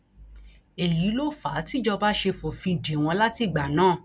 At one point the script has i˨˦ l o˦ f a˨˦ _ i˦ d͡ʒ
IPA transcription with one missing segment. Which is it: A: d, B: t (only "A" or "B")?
B